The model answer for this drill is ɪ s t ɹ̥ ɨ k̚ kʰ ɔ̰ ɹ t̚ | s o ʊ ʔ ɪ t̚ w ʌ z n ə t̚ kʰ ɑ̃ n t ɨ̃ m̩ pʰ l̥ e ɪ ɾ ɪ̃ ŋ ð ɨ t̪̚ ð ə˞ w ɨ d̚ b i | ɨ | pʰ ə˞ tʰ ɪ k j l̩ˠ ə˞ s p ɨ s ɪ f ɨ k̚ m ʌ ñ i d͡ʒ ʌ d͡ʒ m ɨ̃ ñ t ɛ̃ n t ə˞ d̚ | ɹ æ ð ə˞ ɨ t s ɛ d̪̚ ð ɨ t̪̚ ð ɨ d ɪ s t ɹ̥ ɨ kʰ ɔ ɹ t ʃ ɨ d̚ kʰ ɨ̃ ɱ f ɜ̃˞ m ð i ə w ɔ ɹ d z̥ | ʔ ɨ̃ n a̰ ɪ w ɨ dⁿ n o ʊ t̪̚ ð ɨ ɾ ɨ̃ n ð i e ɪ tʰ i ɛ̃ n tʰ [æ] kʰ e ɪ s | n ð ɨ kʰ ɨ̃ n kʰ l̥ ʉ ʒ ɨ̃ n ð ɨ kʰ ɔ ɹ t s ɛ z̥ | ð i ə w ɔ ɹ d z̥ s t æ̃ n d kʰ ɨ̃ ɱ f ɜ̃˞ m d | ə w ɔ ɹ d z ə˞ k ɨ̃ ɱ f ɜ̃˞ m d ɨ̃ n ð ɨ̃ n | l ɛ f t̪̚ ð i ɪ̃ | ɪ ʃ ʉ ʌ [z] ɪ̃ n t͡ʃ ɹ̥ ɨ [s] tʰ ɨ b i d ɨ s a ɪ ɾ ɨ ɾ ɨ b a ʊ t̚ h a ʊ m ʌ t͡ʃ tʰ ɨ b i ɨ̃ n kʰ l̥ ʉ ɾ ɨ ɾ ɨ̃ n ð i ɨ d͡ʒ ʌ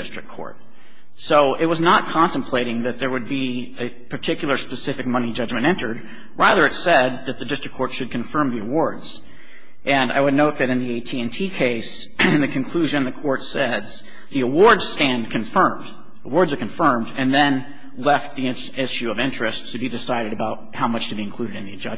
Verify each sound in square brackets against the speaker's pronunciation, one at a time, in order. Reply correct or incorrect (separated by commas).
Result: incorrect, incorrect, correct